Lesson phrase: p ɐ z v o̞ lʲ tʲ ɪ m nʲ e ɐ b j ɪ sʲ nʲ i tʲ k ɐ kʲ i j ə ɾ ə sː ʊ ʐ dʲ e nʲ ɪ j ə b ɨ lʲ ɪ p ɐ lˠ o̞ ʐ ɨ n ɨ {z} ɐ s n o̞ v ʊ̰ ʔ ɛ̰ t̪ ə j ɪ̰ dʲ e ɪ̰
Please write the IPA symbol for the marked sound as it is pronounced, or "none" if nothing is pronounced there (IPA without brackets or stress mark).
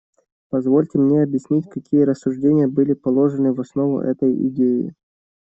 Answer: v